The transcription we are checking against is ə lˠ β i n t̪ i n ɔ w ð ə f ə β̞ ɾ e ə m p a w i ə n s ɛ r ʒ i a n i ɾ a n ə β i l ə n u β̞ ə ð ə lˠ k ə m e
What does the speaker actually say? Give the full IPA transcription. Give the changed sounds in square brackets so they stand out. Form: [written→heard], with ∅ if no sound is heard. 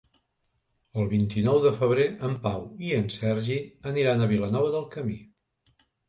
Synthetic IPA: ə lˠ β i n t̪ i n ɔ w ð ə f ə β̞ ɾ e ə m p a w i ə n s ɛ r ʒ i [a→ə] n i ɾ a n ə β i l ə n [u→ɔ] β̞ ə ð ə lˠ k ə m [e→i]